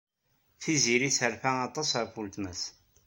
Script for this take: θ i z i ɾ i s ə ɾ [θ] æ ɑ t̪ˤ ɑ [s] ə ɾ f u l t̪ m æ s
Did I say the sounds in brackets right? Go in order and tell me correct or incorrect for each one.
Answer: incorrect: f, correct

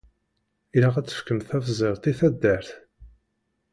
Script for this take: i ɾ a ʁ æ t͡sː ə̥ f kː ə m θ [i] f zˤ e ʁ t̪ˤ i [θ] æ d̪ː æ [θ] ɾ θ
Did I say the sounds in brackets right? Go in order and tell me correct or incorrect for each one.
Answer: incorrect: æ, correct, incorrect: none

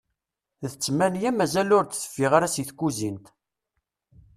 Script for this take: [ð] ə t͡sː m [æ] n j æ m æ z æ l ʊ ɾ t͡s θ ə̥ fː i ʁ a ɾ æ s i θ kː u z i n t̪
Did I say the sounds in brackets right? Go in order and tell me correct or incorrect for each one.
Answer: correct, correct

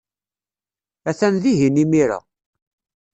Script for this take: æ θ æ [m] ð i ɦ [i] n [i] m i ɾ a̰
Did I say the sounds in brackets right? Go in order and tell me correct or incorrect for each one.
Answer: incorrect: n, correct, correct

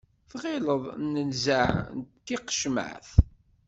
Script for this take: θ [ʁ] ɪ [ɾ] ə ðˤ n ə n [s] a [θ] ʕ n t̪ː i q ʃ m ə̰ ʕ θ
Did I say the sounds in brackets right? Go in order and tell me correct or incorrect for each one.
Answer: correct, incorrect: l, incorrect: z, incorrect: none

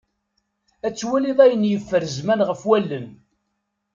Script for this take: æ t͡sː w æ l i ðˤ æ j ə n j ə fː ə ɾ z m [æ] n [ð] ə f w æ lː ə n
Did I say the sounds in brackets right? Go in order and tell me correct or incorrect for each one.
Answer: correct, incorrect: ʁ

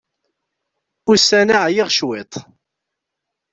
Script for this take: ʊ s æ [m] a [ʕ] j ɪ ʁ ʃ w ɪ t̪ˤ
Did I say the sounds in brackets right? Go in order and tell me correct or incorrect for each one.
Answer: incorrect: n, correct

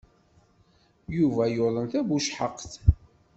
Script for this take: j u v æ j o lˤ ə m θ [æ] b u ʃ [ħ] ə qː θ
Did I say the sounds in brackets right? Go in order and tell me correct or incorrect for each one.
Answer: correct, correct

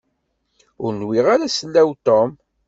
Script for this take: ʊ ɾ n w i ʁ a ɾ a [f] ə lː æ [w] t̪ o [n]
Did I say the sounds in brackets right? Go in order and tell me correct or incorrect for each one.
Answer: incorrect: s, correct, incorrect: m

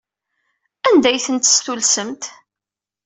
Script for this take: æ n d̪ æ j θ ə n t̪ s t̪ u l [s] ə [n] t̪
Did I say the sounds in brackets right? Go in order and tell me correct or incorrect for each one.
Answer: correct, incorrect: m

